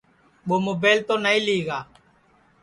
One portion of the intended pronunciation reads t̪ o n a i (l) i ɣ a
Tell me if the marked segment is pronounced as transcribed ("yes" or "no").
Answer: yes